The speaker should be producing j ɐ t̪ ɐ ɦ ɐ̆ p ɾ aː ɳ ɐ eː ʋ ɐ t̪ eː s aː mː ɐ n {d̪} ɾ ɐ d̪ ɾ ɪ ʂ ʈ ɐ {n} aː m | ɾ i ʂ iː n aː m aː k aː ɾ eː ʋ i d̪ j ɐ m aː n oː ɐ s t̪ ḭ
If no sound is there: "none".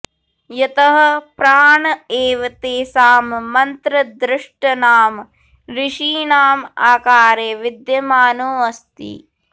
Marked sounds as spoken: t̪, n

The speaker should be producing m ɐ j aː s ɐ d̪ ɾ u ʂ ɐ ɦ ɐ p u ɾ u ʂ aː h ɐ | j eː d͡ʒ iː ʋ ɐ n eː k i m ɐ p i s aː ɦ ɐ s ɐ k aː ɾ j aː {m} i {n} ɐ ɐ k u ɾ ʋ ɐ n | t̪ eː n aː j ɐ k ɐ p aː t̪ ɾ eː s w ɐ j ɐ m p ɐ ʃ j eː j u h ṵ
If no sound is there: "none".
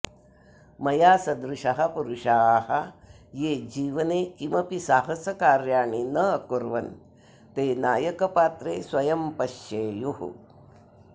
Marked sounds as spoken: ɳ, n

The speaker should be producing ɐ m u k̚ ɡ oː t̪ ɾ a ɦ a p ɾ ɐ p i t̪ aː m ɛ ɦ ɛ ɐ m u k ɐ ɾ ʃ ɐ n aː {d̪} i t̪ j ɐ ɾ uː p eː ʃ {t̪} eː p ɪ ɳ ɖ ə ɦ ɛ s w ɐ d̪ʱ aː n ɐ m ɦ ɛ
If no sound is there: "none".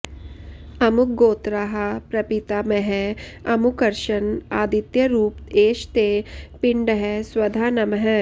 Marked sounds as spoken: d̪, t̪

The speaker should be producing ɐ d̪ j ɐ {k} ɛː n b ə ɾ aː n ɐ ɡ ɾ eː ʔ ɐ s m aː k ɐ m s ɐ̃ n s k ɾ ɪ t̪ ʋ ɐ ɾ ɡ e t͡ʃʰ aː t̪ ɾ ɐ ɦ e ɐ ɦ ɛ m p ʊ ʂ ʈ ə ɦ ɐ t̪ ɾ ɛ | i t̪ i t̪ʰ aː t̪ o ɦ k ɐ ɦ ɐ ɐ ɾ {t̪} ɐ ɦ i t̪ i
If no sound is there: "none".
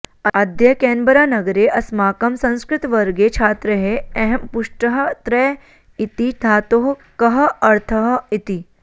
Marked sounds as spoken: k, t̪ʰ

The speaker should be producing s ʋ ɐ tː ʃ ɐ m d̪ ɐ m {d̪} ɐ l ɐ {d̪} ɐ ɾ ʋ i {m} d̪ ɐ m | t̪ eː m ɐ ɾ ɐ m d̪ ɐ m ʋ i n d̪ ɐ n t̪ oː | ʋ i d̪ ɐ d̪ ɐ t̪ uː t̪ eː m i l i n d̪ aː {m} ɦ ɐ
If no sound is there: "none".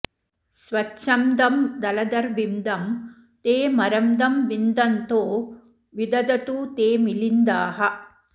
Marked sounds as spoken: d̪, d̪, m, none

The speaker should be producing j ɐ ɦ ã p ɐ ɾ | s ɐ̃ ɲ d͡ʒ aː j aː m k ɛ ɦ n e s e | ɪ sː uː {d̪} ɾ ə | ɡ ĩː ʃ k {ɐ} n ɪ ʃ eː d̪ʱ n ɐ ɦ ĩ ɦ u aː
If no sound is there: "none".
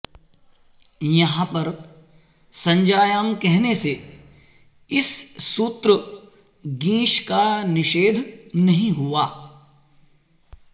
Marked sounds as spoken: t̪, a

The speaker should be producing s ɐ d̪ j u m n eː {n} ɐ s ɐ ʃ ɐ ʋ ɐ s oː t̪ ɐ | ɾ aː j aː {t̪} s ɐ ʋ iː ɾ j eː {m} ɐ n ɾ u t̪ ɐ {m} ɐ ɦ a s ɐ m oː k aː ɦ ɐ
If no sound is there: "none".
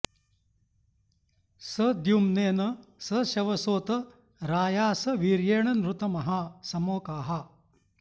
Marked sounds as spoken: n, none, ɳ, m

